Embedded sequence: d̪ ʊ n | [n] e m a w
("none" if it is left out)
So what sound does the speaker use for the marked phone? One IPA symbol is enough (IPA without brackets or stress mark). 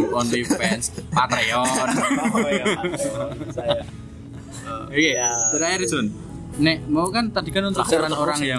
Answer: n